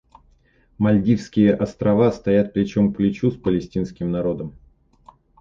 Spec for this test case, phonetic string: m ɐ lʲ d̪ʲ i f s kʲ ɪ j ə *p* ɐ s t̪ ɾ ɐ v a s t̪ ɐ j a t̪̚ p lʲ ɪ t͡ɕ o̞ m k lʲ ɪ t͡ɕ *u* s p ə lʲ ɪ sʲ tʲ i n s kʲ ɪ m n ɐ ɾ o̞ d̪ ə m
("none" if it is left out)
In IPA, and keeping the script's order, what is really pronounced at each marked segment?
ʔ, u

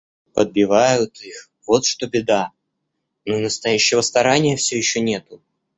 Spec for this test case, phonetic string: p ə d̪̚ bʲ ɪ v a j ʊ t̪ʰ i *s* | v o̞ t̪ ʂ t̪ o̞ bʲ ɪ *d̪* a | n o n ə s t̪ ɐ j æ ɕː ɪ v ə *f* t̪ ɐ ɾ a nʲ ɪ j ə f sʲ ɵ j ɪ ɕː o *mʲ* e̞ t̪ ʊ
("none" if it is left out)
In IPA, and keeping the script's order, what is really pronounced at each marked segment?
x, d̪, s, nʲ

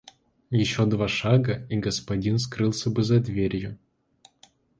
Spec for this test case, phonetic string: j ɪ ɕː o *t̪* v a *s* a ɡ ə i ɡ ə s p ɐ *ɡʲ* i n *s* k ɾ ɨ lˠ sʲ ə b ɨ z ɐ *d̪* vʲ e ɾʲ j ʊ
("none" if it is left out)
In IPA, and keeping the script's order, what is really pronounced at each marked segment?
d̪, ʂ, dʲ, s, d̪

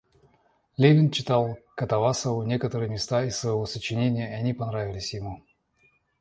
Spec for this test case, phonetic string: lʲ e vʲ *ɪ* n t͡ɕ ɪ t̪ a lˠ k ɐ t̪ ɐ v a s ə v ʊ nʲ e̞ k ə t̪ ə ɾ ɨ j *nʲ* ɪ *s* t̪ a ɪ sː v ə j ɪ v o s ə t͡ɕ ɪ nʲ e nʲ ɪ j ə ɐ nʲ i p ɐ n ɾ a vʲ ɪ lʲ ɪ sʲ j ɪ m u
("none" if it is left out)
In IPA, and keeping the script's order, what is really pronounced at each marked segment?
ɪ, mʲ, s

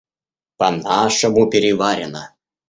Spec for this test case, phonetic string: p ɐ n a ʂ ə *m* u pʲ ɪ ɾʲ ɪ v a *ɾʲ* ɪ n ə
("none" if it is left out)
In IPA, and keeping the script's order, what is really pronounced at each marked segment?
m, ɾʲ

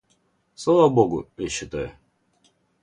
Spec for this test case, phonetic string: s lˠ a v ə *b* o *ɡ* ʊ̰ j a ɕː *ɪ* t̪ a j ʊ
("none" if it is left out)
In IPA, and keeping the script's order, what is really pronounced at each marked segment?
b, ɡ, ɪ

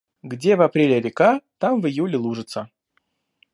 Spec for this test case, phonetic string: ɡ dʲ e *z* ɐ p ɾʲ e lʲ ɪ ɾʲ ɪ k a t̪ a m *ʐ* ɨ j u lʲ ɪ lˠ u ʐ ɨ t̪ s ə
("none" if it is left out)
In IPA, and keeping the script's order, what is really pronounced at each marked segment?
v, v

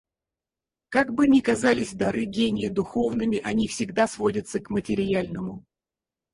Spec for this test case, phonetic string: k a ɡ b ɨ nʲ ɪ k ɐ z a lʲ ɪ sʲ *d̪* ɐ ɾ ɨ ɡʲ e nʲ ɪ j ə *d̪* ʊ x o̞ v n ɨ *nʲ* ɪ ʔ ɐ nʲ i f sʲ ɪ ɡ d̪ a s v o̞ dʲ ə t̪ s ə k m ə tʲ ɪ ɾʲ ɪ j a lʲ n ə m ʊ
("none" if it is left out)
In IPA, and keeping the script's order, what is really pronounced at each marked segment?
d̪, d̪, mʲ

